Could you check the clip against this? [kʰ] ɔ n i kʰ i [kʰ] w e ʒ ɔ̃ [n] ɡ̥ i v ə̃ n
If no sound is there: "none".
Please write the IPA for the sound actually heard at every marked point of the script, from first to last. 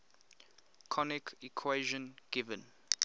kʰ, kʰ, n

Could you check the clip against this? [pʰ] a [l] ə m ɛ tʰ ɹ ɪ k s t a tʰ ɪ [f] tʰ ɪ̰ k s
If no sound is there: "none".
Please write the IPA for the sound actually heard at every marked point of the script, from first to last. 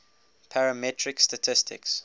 pʰ, ɹ, s

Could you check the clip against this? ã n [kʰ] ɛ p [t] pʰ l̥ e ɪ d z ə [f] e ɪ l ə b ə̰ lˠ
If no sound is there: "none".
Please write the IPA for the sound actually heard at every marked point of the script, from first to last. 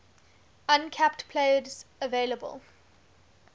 kʰ, t, v

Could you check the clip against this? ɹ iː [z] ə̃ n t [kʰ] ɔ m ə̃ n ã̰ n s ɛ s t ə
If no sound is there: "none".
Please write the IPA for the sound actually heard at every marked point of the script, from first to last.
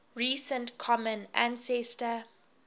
s, kʰ

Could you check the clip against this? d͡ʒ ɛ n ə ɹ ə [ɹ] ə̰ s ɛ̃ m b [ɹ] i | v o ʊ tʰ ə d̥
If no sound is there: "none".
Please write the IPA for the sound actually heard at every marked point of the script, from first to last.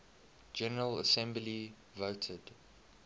l, l

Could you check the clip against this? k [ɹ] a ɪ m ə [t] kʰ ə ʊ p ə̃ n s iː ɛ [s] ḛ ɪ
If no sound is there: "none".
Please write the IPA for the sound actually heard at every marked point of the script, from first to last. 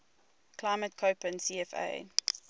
l, t, f

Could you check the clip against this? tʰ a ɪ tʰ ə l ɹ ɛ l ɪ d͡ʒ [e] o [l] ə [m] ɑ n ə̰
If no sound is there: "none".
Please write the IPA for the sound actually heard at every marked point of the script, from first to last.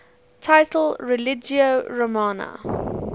i, ɹ, m

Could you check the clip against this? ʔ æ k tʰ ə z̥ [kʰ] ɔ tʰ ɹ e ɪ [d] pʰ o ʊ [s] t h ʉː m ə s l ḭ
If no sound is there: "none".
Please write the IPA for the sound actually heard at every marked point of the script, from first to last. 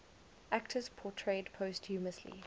pʰ, d, s

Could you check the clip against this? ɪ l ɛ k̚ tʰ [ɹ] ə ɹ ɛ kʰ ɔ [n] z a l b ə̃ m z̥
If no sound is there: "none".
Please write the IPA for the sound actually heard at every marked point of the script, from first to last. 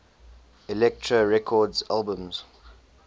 ɹ, d

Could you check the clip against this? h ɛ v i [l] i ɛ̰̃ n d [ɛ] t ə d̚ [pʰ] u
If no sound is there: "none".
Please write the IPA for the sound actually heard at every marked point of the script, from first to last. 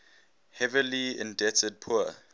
l, ɛ, pʰ

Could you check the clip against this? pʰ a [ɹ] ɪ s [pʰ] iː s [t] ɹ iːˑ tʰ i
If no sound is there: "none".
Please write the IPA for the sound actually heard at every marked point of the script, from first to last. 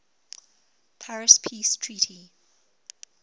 ɹ, pʰ, tʰ

